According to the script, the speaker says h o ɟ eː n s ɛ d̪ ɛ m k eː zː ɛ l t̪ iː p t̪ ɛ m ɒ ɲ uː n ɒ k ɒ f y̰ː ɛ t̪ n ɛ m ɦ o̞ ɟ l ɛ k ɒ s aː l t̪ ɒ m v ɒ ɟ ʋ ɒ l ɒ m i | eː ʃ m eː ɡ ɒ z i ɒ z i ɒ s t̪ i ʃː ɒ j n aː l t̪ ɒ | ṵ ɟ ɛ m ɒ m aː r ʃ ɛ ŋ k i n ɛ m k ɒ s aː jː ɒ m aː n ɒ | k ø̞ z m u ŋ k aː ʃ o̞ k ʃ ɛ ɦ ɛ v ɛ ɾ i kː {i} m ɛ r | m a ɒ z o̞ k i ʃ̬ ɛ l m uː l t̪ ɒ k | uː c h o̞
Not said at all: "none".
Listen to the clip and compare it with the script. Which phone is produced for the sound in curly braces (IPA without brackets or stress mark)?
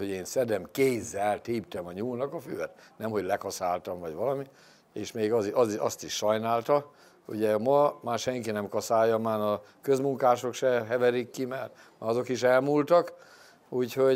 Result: i